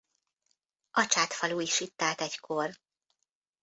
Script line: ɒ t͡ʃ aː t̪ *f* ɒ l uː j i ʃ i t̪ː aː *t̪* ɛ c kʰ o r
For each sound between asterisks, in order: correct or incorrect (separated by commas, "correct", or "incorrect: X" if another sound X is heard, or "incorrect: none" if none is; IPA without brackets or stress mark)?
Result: correct, correct